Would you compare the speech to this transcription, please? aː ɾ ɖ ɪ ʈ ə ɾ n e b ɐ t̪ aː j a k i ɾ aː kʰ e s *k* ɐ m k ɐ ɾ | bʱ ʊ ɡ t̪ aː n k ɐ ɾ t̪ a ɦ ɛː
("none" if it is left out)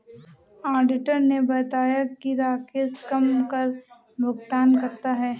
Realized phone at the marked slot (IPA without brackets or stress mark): k